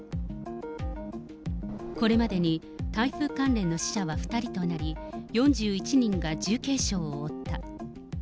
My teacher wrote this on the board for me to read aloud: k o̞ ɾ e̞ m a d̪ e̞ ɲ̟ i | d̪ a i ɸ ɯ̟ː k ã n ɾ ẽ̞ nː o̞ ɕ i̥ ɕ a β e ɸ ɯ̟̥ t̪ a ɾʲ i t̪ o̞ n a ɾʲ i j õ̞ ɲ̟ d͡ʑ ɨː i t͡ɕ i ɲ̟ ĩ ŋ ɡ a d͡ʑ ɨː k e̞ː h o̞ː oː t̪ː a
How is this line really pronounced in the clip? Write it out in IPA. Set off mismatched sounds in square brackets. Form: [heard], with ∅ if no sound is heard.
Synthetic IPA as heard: k o̞ ɾ e̞ m a d̪ e̞ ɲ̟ i | [t̪] a i ɸ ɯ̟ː k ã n ɾ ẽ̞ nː o̞ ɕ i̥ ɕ a β [a] ɸ ɯ̟̥ t̪ a ɾʲ i t̪ o̞ n a ɾʲ i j õ̞ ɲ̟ d͡ʑ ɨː i t͡ɕ i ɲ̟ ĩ ŋ ɡ a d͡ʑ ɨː k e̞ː [ɕ] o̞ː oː t̪ː a

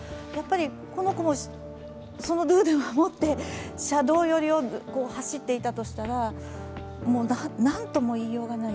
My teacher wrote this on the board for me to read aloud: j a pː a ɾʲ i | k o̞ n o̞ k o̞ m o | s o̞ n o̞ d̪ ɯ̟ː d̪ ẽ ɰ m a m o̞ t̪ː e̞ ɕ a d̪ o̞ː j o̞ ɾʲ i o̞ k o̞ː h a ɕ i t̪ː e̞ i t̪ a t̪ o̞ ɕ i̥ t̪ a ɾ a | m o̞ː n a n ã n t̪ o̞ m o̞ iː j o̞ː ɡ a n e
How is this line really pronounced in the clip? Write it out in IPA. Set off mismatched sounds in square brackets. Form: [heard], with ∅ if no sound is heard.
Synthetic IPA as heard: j a pː a ɾʲ i | k o̞ n o̞ k o̞ m o | s o̞ n o̞ d̪ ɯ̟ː d̪ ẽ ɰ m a m o̞ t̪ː e̞ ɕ a d̪ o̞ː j o̞ ɾʲ i o̞ k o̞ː h a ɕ i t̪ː e̞ i t̪ a t̪ o̞ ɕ i̥ t̪ a ɾ a | m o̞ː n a n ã n t̪ o̞ m o̞ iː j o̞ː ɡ a n [a]

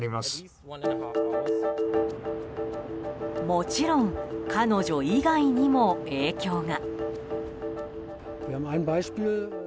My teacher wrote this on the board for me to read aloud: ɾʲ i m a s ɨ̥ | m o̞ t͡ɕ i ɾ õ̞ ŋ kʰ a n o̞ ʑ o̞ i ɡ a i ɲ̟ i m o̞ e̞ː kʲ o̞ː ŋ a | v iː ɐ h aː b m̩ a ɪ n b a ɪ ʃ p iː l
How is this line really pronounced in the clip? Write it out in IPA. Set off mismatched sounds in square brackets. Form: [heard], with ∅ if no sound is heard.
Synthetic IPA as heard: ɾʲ i m a s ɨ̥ | m o̞ t͡ɕ i ɾ õ̞ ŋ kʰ a n o̞ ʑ o̞ i ɡ a i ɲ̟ i m o̞ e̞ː kʲ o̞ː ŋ a | v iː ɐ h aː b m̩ a ɪ n b a ɪ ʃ p iː l

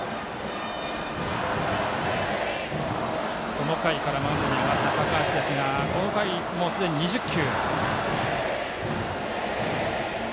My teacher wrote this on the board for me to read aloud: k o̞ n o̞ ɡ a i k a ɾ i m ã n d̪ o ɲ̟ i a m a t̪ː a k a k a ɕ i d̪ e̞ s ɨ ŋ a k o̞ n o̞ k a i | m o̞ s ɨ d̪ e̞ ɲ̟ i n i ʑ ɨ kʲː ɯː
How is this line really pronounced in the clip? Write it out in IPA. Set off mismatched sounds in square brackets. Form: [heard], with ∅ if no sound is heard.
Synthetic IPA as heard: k o̞ n o̞ [k] a i k a ɾ [a] m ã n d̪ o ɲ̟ i a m a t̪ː a k a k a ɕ i d̪ e̞ s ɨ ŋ a k o̞ n o̞ k a i | m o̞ s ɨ d̪ e̞ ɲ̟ i [ɲ] i ʑ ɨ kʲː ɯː

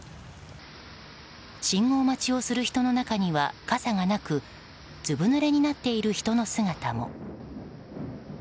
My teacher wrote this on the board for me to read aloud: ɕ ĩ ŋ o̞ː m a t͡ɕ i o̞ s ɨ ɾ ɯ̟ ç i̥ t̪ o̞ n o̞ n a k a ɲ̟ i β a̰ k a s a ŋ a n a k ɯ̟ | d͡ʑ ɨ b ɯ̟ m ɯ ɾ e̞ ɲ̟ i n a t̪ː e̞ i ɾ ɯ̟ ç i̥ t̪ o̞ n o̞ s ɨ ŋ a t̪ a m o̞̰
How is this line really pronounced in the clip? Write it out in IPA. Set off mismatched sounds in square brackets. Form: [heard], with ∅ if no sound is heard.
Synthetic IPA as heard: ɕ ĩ ŋ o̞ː m a t͡ɕ i o̞ s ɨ ɾ ɯ̟ ç i̥ t̪ o̞ n o̞ n a k a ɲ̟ i β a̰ k a s a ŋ a n a k ɯ̟ | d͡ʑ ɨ b ɯ̟ [n] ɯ ɾ e̞ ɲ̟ i n a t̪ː e̞ i ɾ ɯ̟ ç i̥ t̪ o̞ n o̞ s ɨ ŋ a t̪ a m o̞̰

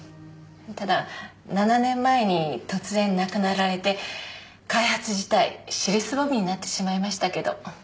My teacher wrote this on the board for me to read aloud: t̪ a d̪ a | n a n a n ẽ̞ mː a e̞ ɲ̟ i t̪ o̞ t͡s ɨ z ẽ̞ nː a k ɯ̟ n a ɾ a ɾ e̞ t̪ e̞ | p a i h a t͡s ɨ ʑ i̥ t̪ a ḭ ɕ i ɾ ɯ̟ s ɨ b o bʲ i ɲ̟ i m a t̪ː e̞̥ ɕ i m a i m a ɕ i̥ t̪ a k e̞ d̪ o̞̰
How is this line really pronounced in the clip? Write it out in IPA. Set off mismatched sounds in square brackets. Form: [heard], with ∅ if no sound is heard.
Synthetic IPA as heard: t̪ a d̪ a | n a n a n ẽ̞ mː a e̞ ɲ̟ i t̪ o̞ t͡s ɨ z ẽ̞ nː a k ɯ̟ n a ɾ a ɾ e̞ t̪ e̞ | [k] a i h a t͡s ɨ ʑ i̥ t̪ a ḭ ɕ i ɾ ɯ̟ s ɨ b o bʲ i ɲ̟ i [n] a t̪ː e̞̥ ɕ i m a i m a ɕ i̥ t̪ a k e̞ d̪ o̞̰

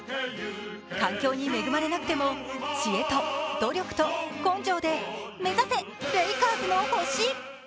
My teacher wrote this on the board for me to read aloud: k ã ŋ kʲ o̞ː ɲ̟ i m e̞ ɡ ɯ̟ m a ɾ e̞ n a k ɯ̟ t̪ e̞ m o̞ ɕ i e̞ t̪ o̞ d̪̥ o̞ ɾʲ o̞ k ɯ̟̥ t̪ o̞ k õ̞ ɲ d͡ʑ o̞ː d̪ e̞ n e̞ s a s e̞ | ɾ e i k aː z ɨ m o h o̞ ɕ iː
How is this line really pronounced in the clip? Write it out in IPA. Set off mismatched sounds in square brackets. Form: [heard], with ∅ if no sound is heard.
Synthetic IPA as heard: k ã ŋ kʲ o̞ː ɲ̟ i m e̞ ɡ ɯ̟ m a ɾ e̞ n a k ɯ̟ t̪ e̞ m o̞ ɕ i e̞ t̪ o̞ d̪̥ o̞ ɾʲ o̞ k ɯ̟̥ t̪ o̞ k õ̞ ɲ d͡ʑ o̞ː d̪ e̞ [m] e̞ [z] a s e̞ | ɾ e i k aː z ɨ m o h o̞ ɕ iː

